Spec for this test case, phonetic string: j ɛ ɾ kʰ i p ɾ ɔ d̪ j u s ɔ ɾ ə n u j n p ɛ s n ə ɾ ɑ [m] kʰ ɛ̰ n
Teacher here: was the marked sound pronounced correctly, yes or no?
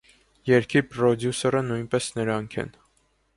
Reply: no